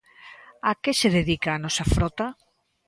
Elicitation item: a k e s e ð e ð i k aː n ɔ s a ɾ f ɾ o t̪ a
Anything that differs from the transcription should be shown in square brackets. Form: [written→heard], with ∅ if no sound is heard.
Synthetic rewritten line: a k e s e ð e ð i k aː n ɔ s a [ɾ→∅] f ɾ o t̪ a